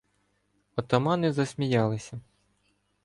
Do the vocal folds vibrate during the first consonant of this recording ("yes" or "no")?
no